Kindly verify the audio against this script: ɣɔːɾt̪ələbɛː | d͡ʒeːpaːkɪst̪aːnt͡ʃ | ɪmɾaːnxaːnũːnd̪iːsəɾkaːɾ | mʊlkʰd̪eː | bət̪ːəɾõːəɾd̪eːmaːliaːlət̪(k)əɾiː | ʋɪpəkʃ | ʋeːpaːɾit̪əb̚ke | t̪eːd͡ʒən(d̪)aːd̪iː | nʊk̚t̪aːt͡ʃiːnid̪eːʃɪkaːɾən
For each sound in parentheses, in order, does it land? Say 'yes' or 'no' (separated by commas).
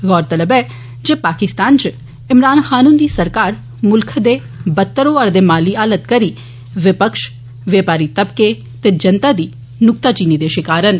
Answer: yes, no